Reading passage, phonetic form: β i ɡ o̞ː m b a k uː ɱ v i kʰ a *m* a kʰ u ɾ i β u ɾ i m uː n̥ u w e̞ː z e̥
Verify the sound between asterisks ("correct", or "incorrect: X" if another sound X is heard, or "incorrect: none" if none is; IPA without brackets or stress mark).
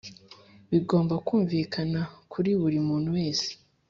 incorrect: n